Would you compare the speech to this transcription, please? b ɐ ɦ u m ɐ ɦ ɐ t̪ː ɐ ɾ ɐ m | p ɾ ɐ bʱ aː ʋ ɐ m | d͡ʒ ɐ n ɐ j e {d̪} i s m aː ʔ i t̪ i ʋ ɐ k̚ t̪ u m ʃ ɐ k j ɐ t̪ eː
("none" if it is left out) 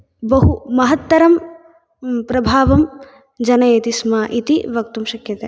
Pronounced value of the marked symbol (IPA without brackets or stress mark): t̪